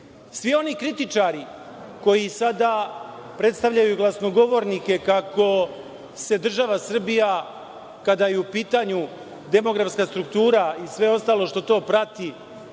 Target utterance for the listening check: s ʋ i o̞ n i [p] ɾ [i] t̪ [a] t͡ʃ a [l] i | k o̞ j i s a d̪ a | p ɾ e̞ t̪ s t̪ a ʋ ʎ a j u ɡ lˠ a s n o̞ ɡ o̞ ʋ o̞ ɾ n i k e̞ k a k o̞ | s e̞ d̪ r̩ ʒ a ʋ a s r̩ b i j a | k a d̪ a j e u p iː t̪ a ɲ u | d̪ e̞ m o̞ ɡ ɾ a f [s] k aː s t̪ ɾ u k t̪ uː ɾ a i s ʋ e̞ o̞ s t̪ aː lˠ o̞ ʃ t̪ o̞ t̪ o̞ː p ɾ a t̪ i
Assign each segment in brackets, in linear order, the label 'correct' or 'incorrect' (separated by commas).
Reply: incorrect, correct, incorrect, incorrect, correct